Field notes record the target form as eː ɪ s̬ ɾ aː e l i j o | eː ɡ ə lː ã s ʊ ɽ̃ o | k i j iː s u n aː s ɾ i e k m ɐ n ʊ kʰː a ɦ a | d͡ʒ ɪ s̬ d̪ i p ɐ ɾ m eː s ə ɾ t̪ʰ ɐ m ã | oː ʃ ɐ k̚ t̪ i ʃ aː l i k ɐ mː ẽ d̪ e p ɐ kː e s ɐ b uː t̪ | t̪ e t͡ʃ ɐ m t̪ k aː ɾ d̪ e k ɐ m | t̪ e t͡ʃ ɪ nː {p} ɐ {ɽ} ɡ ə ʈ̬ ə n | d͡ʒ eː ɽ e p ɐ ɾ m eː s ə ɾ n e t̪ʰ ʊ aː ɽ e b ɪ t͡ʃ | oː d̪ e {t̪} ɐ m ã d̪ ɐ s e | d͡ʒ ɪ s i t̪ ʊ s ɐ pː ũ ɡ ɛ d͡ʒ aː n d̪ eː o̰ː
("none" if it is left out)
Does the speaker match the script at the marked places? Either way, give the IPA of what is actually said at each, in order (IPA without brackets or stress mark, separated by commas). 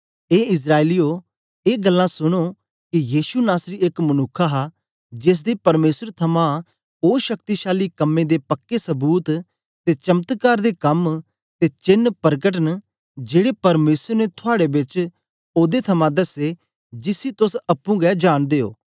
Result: p, ɾ, t̪ʰ